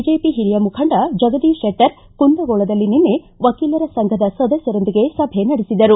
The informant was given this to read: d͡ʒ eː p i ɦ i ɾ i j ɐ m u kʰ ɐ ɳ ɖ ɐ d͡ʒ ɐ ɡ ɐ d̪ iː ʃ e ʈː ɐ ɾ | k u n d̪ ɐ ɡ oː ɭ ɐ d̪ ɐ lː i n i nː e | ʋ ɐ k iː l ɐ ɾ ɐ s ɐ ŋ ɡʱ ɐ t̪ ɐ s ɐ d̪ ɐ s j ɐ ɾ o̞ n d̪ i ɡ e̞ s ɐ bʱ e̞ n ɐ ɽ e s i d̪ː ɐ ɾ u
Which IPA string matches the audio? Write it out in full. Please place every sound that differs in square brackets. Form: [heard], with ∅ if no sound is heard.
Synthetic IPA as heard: d͡ʒ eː p i ɦ i ɾ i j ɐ m u kʰ ɐ ɳ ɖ ɐ d͡ʒ ɐ ɡ ɐ d̪ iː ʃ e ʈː ɐ ɾ | k u n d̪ ɐ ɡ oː ɭ ɐ d̪ ɐ lː i n i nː e | ʋ ɐ k iː l ɐ ɾ ɐ s ɐ ŋ ɡʱ ɐ [d̪] ɐ s ɐ d̪ ɐ s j ɐ ɾ o̞ n d̪ i ɡ e̞ s ɐ bʱ e̞ n ɐ ɽ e s i [d̪] ɐ ɾ u